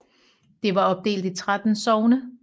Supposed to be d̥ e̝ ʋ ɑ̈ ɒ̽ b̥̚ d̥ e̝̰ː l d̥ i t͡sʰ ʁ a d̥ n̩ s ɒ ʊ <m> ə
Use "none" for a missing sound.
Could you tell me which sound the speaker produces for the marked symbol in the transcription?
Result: n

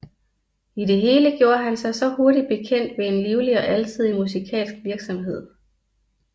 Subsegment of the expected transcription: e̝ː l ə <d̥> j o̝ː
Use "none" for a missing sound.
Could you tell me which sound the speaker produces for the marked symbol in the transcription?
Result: ɡ̥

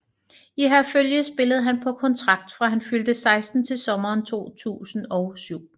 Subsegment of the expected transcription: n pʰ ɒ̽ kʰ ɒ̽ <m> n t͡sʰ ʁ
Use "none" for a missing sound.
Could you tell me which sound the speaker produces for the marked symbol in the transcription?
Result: none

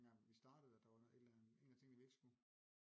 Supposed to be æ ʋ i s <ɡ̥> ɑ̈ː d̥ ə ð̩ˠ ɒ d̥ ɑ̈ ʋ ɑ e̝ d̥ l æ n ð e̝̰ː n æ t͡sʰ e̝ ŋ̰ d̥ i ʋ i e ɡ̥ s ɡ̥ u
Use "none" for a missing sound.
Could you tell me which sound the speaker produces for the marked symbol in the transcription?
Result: d̥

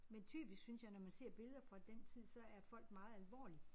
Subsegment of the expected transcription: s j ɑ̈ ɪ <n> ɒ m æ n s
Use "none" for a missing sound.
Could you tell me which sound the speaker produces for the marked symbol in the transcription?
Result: n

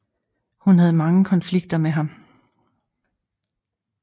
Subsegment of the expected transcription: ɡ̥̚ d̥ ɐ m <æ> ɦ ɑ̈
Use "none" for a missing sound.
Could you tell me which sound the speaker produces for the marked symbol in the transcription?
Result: e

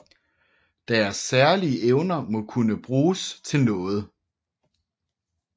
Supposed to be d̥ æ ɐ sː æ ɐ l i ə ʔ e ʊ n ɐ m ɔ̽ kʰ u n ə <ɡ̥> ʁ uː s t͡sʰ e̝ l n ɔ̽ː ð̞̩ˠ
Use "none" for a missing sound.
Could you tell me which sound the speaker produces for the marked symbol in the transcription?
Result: b̥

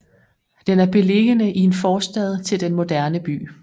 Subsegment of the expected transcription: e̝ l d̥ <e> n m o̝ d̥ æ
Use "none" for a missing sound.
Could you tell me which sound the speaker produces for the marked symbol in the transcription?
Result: e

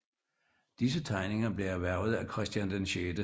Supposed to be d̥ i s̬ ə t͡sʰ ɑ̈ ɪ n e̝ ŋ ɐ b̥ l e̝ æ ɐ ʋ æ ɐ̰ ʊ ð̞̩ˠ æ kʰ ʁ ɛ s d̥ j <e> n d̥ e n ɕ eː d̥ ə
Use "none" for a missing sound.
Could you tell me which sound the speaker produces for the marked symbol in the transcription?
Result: æ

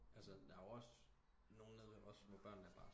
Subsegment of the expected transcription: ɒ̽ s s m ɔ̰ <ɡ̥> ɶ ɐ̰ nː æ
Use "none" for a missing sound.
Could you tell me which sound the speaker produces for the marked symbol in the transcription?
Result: b̥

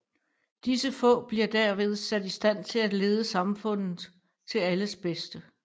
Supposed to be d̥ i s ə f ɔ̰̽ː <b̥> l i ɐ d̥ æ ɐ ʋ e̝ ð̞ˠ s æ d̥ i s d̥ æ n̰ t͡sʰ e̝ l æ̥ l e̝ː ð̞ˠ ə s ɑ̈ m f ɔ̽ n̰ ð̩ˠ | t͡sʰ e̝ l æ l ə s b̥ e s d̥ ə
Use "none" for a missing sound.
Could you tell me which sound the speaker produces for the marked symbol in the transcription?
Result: b̥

